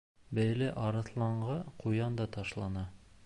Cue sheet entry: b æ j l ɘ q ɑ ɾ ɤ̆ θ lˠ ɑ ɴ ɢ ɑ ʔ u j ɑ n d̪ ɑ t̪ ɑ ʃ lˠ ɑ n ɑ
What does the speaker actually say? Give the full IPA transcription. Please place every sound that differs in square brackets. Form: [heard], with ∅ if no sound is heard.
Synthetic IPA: b æ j l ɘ [ʔ] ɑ ɾ ɤ̆ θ lˠ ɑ ɴ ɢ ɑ [q] u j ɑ n d̪ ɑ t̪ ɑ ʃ lˠ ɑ n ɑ